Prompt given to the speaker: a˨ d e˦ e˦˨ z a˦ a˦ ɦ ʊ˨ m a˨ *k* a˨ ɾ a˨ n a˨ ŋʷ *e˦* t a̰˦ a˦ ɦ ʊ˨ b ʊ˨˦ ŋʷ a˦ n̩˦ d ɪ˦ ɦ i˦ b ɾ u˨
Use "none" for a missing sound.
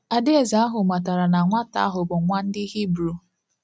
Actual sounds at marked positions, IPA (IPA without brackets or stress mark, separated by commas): t, a˦